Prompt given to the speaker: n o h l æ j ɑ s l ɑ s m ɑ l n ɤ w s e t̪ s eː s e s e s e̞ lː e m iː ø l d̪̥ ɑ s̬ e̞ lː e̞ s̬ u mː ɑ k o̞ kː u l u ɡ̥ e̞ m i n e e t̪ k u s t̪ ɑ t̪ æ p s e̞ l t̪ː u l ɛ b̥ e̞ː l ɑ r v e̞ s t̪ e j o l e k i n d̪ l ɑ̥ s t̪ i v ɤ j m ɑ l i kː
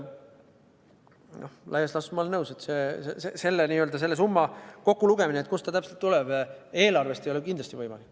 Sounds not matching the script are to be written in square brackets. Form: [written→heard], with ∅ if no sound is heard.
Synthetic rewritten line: n o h l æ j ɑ s l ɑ s m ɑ l n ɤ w s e t̪ s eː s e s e s e̞ lː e [m→n] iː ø l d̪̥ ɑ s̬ e̞ lː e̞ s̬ u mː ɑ k o̞ kː u l u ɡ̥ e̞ m i n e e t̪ k u s t̪ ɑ t̪ æ p s e̞ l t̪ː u l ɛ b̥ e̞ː l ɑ r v e̞ s t̪ e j o l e k i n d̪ l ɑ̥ s t̪ i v ɤ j m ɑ l i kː